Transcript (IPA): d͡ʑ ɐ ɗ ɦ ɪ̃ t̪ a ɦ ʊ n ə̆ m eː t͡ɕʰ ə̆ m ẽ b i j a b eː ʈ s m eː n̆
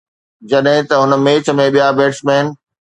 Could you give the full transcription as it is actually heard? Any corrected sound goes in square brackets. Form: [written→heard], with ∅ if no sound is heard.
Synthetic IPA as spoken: d͡ʑ ɐ ɗ ɦ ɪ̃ t̪ [a→ɐ] ɦ ʊ n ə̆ m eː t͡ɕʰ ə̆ m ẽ [b→ɓ] i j a b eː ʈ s m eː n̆